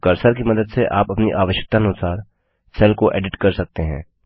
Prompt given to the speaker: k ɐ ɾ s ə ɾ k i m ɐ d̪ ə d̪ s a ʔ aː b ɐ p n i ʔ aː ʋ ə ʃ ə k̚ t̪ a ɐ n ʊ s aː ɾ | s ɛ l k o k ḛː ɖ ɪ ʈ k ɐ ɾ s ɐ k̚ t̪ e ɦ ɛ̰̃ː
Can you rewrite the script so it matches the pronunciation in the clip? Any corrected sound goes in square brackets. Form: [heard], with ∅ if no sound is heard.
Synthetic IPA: k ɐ ɾ s ə ɾ k i m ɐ d̪ ə d̪ s [e] ʔ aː [p] ɐ p n i ʔ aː ʋ ə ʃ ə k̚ t̪ a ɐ n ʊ s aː ɾ | s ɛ l k o [ʔ] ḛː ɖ ɪ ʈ k ɐ ɾ s ɐ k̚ t̪ e ɦ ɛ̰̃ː